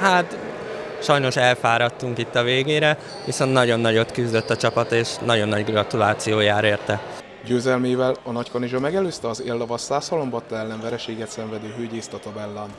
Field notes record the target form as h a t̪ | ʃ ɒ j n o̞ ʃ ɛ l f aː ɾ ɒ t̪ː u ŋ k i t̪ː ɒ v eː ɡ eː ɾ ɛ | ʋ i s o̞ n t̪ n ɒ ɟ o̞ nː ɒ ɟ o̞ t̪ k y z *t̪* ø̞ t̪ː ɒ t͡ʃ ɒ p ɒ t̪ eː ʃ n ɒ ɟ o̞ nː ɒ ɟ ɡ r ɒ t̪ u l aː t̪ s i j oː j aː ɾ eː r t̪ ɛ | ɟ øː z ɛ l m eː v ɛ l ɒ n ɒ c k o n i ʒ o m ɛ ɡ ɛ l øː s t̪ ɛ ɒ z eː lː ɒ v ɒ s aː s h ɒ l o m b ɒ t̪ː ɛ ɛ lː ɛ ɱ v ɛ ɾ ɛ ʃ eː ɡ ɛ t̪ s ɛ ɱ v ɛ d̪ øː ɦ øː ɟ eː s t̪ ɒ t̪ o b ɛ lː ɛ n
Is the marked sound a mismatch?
yes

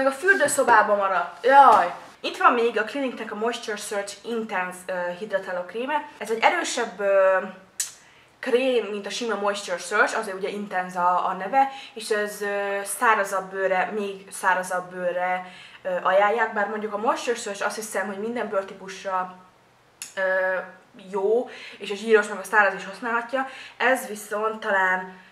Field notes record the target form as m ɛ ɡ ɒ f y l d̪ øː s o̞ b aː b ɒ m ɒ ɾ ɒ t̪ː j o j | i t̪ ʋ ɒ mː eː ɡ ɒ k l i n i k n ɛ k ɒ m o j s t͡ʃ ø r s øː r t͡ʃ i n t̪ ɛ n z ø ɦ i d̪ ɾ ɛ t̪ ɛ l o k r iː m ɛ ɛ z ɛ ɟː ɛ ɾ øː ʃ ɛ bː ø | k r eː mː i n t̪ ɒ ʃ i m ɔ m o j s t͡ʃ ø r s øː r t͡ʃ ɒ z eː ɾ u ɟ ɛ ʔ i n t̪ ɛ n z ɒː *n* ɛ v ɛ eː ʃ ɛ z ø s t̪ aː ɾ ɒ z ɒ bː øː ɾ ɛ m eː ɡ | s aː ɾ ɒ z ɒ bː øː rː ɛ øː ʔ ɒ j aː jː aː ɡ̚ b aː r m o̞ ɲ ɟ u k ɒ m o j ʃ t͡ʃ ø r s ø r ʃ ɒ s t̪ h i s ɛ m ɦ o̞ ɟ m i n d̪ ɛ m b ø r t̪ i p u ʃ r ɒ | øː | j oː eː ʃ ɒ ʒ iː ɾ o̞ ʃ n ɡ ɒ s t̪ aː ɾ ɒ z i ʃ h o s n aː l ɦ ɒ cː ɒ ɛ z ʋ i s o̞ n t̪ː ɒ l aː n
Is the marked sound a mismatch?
no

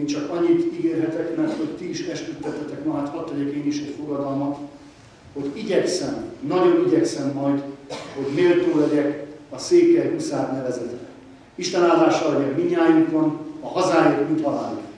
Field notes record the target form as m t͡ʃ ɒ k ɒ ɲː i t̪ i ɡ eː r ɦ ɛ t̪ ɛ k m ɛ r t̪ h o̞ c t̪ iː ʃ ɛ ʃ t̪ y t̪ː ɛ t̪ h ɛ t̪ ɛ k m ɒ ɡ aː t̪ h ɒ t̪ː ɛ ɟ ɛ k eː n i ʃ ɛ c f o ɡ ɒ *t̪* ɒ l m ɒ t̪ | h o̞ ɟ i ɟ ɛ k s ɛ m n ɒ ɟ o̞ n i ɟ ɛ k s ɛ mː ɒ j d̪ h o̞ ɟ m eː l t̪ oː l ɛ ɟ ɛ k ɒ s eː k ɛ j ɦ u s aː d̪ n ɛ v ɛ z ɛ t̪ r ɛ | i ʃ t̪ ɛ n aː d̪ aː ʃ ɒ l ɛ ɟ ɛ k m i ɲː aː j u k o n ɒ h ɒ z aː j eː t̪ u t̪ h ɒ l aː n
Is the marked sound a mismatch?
yes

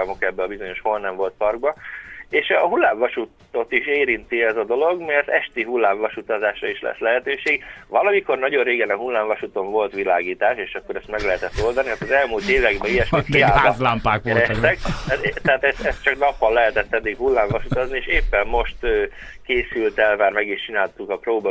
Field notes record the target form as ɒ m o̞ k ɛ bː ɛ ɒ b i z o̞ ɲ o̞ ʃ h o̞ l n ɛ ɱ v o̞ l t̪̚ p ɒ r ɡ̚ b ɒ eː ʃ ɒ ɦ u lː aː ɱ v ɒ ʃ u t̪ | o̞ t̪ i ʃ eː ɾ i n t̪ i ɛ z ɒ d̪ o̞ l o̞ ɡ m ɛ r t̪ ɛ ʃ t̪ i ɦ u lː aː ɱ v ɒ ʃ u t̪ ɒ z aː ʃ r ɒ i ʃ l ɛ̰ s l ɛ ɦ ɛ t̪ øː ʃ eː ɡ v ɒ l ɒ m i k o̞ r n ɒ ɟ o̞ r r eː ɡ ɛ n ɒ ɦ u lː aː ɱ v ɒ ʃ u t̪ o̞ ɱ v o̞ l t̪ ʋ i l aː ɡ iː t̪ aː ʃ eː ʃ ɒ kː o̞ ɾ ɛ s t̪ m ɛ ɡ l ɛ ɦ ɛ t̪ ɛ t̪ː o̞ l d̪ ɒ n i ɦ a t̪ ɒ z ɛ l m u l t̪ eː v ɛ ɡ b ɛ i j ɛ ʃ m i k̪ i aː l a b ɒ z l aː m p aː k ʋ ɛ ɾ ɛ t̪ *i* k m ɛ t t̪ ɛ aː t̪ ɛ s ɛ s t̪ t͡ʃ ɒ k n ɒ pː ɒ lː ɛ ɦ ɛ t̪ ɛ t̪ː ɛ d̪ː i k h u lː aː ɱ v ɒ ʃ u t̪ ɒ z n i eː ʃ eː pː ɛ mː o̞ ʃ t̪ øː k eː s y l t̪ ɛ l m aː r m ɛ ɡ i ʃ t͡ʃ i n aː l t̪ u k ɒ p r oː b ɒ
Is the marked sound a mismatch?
yes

